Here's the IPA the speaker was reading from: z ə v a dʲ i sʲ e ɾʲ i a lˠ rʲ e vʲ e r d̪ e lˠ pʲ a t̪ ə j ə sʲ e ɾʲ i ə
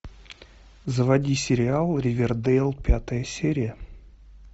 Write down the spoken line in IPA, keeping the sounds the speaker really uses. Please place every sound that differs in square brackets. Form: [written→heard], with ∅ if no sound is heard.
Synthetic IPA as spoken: z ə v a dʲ i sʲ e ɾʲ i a lˠ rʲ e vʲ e r d̪ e lˠ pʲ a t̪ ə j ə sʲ e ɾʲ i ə